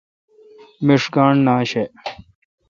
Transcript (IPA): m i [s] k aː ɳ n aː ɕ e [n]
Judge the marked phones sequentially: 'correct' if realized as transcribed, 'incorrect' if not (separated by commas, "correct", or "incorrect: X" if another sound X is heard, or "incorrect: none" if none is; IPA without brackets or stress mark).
incorrect: ʂ, incorrect: none